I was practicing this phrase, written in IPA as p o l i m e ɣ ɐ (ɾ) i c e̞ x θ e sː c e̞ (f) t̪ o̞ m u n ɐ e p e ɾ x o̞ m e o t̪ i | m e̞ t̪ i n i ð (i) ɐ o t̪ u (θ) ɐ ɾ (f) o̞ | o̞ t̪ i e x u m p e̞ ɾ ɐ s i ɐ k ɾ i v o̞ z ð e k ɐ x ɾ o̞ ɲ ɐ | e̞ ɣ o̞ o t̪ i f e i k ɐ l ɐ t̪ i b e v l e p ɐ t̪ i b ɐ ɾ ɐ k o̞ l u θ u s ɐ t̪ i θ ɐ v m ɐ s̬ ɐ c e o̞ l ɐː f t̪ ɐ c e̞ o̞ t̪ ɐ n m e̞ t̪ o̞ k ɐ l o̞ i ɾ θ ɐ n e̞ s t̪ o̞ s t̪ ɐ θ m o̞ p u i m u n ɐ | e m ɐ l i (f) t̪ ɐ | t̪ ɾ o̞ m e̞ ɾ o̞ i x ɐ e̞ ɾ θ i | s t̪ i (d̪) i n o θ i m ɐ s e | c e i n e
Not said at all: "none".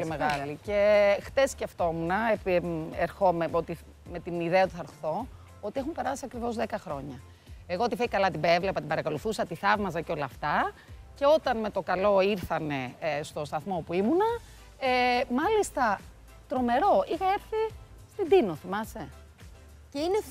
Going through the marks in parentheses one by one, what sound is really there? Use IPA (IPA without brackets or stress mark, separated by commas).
l, f, e, θ, θ, s, d̪